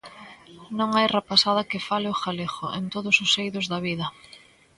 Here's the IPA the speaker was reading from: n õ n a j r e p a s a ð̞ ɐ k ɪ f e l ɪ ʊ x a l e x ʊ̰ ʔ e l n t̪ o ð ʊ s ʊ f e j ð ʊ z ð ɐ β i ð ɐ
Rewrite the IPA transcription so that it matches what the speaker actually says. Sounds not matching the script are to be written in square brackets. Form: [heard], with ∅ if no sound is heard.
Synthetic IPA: n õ [ŋ] a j r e p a s a ð̞ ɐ k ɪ f [a] l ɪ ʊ x a l e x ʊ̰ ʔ e [∅] n t̪ o ð ʊ s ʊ [s] e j ð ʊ z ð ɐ β i ð ɐ

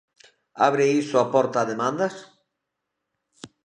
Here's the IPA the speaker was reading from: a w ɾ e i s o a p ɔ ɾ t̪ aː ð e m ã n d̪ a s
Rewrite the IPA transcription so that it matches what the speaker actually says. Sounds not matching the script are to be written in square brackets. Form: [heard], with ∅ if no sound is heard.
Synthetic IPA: a [β] ɾ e i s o a p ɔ ɾ t̪ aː ð e m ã n d̪ a s

